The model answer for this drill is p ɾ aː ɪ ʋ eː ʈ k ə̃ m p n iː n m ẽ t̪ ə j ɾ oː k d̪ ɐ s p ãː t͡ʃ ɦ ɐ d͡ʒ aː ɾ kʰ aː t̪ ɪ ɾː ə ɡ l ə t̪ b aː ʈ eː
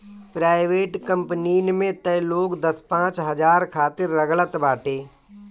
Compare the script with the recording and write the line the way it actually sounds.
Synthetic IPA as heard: p ɾ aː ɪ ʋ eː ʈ k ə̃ m p n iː n m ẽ t̪ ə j l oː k d̪ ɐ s p ãː t͡ʃ ɦ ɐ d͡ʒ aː ɾ kʰ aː t̪ ɪ ɾː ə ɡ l ə t̪ b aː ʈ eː